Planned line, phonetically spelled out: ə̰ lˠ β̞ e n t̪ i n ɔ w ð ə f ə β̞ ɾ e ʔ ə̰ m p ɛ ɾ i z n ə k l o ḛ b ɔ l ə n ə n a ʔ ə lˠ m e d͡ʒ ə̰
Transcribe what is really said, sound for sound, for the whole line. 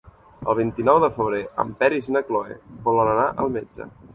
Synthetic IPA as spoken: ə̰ lˠ β̞ i n t̪ i n ɔ w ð ə f ə β̞ ɾ e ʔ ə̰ m p ɛ ɾ i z n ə k l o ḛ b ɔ l ə n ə n a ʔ ə lˠ m e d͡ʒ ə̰